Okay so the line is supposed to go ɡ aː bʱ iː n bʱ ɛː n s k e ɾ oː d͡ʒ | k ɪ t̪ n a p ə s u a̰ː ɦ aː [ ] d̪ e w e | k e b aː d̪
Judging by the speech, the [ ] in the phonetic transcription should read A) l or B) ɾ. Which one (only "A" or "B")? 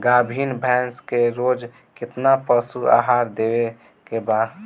B